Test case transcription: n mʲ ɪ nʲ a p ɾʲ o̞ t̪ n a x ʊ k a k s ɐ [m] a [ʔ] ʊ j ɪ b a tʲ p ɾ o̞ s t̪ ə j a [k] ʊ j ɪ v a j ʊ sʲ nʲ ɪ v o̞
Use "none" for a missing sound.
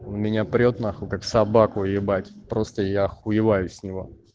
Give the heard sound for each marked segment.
b, k, x

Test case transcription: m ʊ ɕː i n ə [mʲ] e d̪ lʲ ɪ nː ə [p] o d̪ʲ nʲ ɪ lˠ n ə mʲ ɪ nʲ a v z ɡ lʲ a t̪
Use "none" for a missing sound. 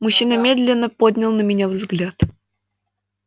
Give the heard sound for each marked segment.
mʲ, p

